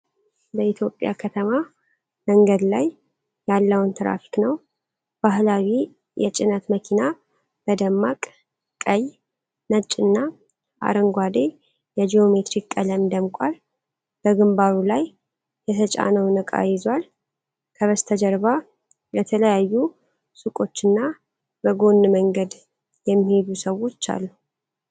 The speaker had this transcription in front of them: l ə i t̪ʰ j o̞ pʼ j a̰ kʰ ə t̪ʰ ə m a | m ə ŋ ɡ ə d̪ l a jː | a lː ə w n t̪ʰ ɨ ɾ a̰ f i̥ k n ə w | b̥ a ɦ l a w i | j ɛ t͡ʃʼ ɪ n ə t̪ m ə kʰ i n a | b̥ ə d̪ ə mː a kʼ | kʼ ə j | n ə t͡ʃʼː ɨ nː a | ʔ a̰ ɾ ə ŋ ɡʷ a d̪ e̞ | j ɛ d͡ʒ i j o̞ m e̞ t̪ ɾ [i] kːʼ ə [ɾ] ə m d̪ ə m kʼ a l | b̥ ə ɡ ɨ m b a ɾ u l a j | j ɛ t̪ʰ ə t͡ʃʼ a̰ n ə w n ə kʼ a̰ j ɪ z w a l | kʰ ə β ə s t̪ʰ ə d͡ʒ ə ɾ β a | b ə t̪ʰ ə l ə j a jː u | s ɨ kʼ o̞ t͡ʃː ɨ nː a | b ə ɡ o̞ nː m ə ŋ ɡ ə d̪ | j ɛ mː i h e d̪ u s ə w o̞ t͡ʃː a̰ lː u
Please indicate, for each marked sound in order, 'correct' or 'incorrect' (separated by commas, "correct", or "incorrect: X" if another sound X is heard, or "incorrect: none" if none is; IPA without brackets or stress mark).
correct, incorrect: l